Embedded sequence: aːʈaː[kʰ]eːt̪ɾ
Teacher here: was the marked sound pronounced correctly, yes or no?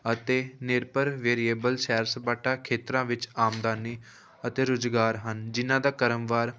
yes